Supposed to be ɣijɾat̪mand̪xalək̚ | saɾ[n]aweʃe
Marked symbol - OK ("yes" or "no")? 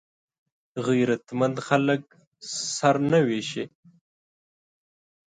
yes